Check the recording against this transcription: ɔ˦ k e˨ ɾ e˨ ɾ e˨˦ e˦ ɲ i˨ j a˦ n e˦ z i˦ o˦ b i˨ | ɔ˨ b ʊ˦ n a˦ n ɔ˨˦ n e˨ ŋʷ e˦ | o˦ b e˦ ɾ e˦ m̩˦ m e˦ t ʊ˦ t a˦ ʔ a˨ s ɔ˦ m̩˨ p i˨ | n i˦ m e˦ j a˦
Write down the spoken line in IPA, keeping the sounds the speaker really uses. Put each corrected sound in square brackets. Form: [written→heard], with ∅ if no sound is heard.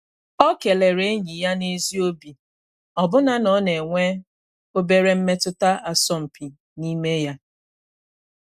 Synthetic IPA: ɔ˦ k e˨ [ɾ→l] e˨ ɾ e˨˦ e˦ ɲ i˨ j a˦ n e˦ z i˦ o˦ b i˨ | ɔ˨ b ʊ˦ n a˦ n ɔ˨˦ n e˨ ŋʷ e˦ | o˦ b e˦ ɾ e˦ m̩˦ m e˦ t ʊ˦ t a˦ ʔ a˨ s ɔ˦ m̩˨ p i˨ | n i˦ m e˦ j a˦